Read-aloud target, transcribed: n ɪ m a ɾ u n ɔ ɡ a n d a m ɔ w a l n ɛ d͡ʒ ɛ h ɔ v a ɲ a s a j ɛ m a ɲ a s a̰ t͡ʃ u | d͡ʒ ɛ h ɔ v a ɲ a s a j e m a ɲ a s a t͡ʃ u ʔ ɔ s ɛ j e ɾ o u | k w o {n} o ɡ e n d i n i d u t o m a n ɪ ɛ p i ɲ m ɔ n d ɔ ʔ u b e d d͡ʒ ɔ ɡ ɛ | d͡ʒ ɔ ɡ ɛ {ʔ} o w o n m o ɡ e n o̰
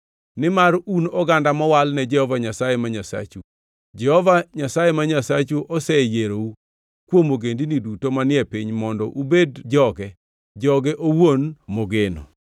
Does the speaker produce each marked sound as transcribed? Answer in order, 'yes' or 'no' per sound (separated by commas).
no, yes